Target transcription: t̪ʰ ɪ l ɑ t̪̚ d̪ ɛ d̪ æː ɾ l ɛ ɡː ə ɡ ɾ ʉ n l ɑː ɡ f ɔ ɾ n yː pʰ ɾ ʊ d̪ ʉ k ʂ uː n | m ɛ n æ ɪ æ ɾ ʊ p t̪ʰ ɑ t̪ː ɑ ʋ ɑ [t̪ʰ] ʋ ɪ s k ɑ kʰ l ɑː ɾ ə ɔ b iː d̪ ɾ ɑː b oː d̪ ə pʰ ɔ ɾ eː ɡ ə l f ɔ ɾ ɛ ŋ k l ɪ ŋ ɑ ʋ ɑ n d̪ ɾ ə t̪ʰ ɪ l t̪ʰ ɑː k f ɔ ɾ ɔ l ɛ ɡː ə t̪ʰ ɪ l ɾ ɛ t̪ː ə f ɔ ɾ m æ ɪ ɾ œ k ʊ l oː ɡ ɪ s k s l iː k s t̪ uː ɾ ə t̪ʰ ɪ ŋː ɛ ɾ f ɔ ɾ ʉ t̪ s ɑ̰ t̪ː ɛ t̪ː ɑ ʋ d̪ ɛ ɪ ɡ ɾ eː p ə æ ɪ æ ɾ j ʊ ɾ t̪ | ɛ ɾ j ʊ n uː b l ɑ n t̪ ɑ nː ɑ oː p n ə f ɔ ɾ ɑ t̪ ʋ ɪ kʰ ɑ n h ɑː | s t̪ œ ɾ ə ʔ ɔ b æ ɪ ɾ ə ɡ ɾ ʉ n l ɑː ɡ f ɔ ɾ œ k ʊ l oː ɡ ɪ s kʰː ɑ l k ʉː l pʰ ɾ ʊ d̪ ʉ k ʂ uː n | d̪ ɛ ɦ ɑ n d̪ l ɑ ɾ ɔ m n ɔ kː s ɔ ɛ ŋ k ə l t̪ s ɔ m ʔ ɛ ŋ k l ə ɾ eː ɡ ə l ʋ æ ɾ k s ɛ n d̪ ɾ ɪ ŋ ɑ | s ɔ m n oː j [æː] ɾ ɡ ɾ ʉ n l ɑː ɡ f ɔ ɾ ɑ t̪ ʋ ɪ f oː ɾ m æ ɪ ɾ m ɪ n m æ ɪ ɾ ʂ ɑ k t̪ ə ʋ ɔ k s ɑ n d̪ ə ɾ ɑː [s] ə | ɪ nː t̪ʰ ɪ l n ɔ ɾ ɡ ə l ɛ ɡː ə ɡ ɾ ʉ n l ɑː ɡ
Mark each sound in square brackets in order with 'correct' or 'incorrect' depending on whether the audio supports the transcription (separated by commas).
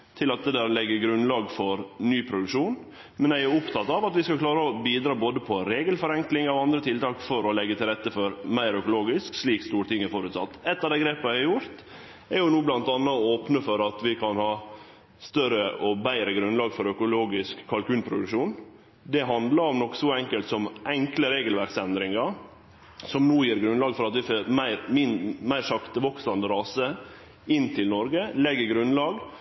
incorrect, incorrect, correct